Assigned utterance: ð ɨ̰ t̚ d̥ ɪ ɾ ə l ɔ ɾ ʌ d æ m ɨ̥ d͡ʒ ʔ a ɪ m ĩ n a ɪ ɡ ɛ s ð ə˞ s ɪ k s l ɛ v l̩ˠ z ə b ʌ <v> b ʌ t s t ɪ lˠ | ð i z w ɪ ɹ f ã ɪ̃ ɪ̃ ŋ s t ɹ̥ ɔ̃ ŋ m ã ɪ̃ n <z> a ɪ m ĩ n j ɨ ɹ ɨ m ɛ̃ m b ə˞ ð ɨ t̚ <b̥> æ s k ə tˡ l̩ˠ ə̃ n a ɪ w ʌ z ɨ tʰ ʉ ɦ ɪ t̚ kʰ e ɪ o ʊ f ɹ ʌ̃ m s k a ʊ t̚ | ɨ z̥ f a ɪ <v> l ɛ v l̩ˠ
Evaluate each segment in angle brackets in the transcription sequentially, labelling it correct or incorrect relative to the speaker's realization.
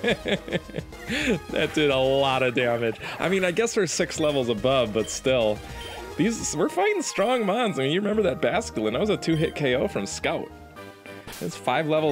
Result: correct, correct, correct, correct

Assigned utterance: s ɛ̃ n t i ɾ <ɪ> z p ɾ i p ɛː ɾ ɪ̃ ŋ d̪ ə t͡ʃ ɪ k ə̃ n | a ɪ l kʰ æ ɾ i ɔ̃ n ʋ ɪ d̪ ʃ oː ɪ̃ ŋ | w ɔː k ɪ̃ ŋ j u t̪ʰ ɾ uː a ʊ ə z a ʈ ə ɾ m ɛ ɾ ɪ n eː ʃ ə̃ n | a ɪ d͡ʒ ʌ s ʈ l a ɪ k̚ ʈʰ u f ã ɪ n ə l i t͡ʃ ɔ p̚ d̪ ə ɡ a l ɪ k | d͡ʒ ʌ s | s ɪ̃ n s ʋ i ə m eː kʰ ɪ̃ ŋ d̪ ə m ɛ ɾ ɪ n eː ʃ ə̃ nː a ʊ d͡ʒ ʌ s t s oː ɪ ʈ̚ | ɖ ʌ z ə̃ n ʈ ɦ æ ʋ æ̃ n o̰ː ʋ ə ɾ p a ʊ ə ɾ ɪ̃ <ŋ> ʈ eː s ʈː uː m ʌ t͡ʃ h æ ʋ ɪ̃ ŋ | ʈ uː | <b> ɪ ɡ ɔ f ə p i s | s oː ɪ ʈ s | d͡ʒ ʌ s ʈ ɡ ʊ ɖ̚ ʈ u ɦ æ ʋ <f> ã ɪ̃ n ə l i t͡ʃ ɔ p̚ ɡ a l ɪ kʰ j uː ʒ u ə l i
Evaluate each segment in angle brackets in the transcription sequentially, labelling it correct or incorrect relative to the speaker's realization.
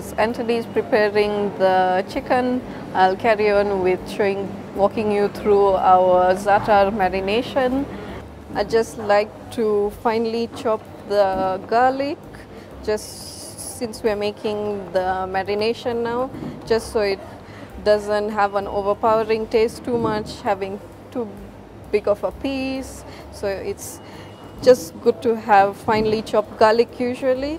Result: incorrect: i, correct, correct, correct

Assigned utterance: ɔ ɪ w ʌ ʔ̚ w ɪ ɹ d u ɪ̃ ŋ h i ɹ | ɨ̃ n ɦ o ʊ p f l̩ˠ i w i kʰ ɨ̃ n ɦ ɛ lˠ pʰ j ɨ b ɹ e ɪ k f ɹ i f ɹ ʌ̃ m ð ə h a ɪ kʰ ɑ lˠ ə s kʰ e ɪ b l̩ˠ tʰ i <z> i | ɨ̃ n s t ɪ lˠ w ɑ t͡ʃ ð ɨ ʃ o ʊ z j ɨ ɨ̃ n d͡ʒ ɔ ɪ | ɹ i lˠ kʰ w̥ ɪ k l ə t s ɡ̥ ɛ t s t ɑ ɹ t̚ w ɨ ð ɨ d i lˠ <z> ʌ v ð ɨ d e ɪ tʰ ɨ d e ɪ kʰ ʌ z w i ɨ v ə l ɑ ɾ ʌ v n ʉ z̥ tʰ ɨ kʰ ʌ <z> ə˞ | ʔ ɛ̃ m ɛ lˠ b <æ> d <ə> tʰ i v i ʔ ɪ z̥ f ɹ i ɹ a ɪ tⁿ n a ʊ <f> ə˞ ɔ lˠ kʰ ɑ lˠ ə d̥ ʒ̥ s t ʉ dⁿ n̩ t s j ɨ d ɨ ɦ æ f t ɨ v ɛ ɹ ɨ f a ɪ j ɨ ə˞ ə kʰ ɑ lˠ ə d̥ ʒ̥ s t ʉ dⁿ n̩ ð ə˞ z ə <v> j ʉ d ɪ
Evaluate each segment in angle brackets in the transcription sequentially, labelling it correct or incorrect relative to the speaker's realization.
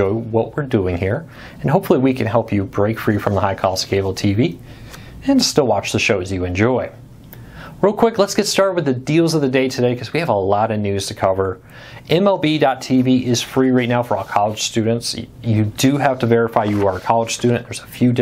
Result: incorrect: v, correct, incorrect: v, incorrect: i, incorrect: ɑ, correct, incorrect: f

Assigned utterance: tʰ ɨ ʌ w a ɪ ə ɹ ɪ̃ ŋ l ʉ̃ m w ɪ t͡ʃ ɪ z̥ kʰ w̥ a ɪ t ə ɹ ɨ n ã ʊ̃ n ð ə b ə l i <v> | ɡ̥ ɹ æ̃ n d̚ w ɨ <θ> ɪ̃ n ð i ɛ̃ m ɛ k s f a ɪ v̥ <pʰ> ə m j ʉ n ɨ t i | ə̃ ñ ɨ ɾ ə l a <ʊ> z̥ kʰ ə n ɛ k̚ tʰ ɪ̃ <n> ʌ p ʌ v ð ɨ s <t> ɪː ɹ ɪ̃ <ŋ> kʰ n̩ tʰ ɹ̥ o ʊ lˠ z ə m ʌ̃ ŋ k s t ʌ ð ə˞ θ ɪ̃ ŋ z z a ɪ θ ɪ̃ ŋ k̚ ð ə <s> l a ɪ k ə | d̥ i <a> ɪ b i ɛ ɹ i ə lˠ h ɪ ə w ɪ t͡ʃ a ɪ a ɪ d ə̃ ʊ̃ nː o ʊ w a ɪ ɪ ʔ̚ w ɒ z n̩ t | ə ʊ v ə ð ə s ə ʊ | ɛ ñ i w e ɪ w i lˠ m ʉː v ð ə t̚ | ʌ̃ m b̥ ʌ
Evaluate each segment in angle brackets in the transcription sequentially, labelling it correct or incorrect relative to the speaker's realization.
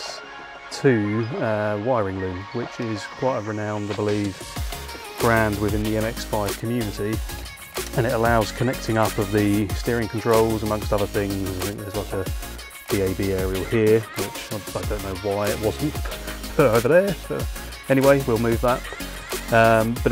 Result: correct, incorrect: ð, incorrect: kʰ, correct, incorrect: ŋ, correct, correct, incorrect: z, incorrect: e

